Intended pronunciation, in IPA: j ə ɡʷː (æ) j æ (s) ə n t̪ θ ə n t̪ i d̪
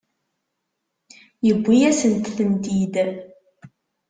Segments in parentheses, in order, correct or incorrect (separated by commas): incorrect, correct